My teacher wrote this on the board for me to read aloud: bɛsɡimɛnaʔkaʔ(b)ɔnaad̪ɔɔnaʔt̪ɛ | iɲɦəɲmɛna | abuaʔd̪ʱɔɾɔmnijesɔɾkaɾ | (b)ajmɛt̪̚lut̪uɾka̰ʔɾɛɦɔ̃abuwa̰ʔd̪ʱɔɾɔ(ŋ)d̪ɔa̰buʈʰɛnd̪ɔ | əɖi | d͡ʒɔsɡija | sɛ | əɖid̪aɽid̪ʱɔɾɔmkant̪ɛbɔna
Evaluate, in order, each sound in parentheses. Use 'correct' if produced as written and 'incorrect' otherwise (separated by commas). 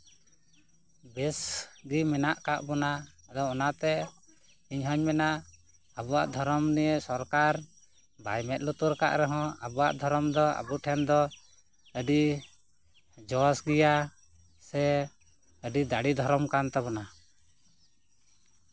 correct, correct, incorrect